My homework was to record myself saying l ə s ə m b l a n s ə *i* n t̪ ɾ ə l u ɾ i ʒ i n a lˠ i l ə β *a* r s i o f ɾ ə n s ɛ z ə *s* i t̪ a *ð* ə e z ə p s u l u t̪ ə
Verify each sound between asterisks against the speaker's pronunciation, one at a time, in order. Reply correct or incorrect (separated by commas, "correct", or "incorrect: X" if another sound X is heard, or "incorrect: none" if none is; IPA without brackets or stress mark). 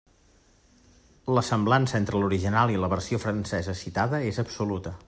incorrect: e, incorrect: ə, correct, correct